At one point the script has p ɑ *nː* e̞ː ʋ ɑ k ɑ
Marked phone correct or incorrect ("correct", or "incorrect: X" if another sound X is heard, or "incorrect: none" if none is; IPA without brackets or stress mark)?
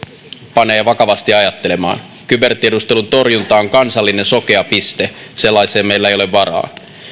incorrect: n